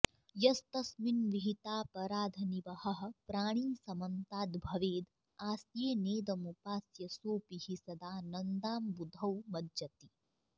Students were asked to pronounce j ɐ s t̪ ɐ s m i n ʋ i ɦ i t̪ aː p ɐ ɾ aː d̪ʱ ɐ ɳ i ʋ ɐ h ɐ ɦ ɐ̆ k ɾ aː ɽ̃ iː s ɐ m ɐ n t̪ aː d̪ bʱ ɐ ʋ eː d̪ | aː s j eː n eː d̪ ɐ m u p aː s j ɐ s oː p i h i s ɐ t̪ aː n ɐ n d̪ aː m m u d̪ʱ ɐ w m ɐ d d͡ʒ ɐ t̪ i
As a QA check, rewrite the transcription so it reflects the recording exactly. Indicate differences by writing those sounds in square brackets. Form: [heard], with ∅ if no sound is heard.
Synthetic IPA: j ɐ s t̪ ɐ s m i n ʋ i ɦ i t̪ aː p ɐ ɾ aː d̪ʱ ɐ [n] i ʋ ɐ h ɐ ɦ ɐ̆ [p] ɾ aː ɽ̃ iː s ɐ m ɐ n t̪ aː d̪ bʱ ɐ ʋ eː d̪ | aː s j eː n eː d̪ ɐ m u p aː s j ɐ s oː p i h i s ɐ [d̪] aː n ɐ n d̪ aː m [b] u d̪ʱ ɐ w m ɐ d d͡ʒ ɐ t̪ i